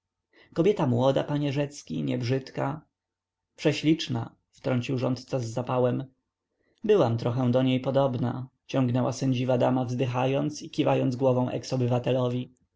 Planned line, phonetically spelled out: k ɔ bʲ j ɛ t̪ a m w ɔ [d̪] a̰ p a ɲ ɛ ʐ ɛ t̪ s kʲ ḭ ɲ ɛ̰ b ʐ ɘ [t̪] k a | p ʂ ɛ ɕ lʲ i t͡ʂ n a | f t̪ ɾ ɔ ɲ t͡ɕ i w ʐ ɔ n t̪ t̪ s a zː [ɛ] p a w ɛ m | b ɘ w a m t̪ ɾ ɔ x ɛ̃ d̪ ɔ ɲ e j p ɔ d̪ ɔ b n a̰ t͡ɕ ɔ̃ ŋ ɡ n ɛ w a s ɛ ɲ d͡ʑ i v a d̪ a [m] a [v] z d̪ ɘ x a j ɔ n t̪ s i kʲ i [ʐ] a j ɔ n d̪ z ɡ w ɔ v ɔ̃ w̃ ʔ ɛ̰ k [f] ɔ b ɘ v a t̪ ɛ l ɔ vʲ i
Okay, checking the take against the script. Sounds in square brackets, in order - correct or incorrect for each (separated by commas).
correct, correct, incorrect, correct, correct, incorrect, incorrect